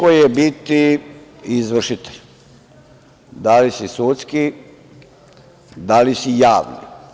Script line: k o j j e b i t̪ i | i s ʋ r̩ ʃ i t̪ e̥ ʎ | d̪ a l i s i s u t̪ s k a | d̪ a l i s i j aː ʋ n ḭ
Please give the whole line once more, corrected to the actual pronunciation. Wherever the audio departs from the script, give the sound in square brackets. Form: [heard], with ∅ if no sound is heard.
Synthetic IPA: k o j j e b i t̪ i | i [z] ʋ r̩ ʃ i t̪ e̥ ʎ | d̪ a l i s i s u t̪ s k [i] | d̪ a l i s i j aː ʋ n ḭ

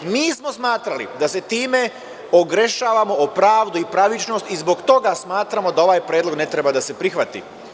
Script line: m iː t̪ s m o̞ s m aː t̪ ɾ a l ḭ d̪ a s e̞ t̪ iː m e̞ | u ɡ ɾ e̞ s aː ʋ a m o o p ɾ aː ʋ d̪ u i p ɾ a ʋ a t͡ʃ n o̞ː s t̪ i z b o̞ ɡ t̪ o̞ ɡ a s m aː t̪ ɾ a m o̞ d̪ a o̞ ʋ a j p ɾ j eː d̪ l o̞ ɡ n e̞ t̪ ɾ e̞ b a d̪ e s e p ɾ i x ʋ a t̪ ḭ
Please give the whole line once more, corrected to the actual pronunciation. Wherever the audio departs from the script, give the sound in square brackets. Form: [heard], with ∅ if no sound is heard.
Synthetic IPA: m iː [∅] s m o̞ s m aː t̪ ɾ a l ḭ d̪ a s e̞ t̪ iː m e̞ | [o] ɡ ɾ e̞ [ʃ] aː ʋ a m o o p ɾ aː ʋ d̪ u i p ɾ a ʋ [i] t͡ʃ n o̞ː s t̪ i z b o̞ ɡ t̪ o̞ ɡ a s m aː t̪ ɾ a m o̞ d̪ a o̞ ʋ a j p ɾ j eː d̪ l o̞ ɡ n e̞ t̪ ɾ e̞ b a d̪ [a] s e p ɾ i x ʋ a t̪ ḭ

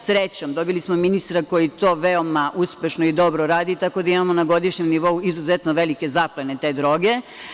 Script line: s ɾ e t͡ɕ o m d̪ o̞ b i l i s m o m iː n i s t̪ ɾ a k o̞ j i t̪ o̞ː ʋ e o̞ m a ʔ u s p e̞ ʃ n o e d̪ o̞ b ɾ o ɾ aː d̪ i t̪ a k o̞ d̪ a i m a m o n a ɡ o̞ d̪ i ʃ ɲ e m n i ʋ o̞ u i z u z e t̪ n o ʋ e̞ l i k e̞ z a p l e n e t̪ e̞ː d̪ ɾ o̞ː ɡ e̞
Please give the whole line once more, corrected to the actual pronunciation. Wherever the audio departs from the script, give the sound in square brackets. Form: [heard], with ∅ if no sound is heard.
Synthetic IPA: s ɾ e t͡ɕ o m d̪ o̞ b i l i s m o m [i] n i s t̪ ɾ a k o̞ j i t̪ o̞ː ʋ e o̞ m a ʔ u s p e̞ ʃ n o [i] d̪ o̞ b ɾ o ɾ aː d̪ i t̪ a k o̞ d̪ a i m a m o n a ɡ o̞ d̪ i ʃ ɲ e m n i ʋ o̞ u i z u z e t̪ n o ʋ e̞ l i k e̞ z a p l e n e t̪ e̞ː d̪ ɾ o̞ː ɡ e̞

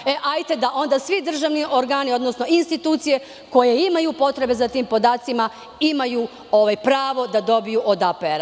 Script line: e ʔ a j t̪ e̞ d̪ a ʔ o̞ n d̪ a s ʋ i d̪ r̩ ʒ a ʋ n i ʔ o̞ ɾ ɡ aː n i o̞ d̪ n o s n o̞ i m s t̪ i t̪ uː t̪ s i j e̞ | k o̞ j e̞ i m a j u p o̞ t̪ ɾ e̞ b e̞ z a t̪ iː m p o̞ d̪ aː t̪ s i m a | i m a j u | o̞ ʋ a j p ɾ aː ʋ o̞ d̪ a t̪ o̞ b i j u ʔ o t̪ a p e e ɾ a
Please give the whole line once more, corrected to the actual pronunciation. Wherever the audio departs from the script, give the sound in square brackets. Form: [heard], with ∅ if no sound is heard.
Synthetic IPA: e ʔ a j t̪ e̞ d̪ a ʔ o̞ n d̪ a s ʋ i d̪ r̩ ʒ a ʋ n i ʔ o̞ ɾ ɡ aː n i o̞ d̪ n o s n o̞ i [n] s t̪ i t̪ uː t̪ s i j e̞ | k o̞ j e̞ i m a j u p o̞ t̪ ɾ e̞ b e̞ z a t̪ iː m p o̞ d̪ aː t̪ s i m a | i m a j u | o̞ ʋ a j p ɾ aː ʋ o̞ d̪ a [d̪] o̞ b i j u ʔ o [d̪] a p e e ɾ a

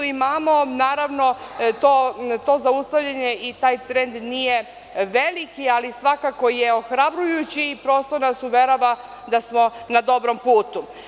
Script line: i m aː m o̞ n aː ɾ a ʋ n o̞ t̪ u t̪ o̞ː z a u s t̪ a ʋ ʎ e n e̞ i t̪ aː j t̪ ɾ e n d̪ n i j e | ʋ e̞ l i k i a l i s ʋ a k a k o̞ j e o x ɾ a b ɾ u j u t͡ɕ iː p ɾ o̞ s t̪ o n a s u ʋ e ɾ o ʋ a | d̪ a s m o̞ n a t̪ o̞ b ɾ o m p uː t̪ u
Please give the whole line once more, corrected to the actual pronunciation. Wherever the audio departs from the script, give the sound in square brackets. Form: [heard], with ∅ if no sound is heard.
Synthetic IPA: i m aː m o̞ n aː ɾ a ʋ n o̞ t̪ [o] t̪ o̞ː z a u s t̪ a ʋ ʎ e [ɲ] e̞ i t̪ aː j t̪ ɾ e n d̪ n i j e | ʋ e̞ l i k i a l i s ʋ a k a k o̞ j e o x ɾ a b ɾ u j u t͡ɕ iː p ɾ o̞ s t̪ o n a s u ʋ e ɾ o ʋ a | d̪ a s m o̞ n a [d̪] o̞ b ɾ o m p uː t̪ u

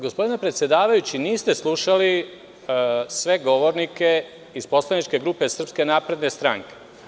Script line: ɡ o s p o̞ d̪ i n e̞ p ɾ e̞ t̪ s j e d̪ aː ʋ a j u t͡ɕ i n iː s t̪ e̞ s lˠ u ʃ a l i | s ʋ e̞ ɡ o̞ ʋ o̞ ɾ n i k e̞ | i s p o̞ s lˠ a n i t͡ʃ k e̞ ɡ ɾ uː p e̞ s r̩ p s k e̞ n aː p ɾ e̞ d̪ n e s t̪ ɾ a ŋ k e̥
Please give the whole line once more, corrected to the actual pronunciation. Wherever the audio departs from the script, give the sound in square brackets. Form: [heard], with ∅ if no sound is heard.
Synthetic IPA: ɡ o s p o̞ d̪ i n e̞ p ɾ e̞ t̪ s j e d̪ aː ʋ a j u t͡ɕ i n iː s t̪ e̞ s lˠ u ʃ a l i | s ʋ e̞ ɡ o̞ ʋ o̞ ɾ n i k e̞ | i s p o̞ s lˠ a n i t͡ʃ k e̞ ɡ ɾ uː p e̞ s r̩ p s k e̞ n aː p ɾ e̞ d̪ n e s t̪ ɾ a ŋ k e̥

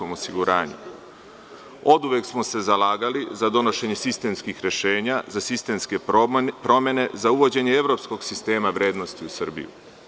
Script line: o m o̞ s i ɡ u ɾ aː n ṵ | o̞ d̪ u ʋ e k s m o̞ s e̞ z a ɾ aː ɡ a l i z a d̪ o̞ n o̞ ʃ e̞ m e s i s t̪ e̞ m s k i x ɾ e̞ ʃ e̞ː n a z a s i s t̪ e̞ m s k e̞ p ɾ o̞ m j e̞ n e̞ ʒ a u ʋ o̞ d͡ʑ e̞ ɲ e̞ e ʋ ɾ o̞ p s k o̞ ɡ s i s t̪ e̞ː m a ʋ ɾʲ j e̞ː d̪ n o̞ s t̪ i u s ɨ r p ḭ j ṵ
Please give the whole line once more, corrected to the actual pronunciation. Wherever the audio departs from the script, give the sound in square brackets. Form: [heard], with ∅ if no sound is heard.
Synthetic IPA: o m o̞ s i ɡ u ɾ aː [ɲ] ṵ | o̞ d̪ u ʋ e k s m o̞ s e̞ z a [l] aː ɡ a l i z a d̪ o̞ n o̞ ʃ e̞ [ɲ] e s i s t̪ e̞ m s k i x ɾ e̞ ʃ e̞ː [ɲ] a z a s i s t̪ e̞ m s k e̞ p ɾ o̞ m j e̞ n e̞ [z] a u ʋ o̞ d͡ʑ e̞ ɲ e̞ e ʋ ɾ o̞ p s k o̞ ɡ s i s t̪ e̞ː m a ʋ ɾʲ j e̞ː d̪ n o̞ s t̪ i u s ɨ r [b] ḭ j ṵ

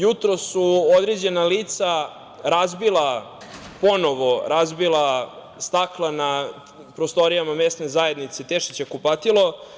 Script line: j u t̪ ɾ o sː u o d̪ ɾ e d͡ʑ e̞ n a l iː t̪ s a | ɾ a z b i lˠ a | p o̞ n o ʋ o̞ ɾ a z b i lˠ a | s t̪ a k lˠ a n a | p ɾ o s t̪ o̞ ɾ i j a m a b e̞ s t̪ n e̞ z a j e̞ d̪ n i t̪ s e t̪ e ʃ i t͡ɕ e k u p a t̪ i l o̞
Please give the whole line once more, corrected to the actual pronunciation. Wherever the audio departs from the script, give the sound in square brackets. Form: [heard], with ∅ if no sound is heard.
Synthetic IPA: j u t̪ ɾ o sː u o d̪ ɾ e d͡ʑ e̞ n a l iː t̪ s a | ɾ a z b i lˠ a | p o̞ n o ʋ o̞ ɾ a z b i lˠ a | s t̪ a k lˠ a n a | p ɾ o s t̪ o̞ ɾ i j a m a [m] e̞ s t̪ n e̞ z a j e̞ d̪ n i t̪ s e t̪ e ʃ i t͡ɕ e k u p a t̪ i l o̞

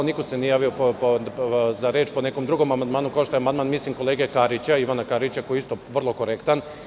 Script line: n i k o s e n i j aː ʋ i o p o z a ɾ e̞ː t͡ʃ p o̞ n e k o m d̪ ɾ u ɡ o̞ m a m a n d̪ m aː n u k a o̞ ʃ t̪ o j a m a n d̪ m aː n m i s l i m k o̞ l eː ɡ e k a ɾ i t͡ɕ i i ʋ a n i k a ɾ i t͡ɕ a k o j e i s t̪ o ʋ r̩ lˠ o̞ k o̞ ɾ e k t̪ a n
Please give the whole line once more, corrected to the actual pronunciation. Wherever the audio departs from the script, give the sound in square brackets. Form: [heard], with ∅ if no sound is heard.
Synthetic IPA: n i k o s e n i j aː ʋ i o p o z a ɾ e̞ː t͡ʃ p o̞ n e k o m d̪ ɾ u ɡ o̞ m a m a n d̪ m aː n u k a o̞ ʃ t̪ o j a m a n d̪ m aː n m i s l i m k o̞ l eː ɡ e k a ɾ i t͡ɕ [a] i ʋ a n [a] k a ɾ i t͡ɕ a k o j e i s t̪ o ʋ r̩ lˠ o̞ k o̞ ɾ e k t̪ a n

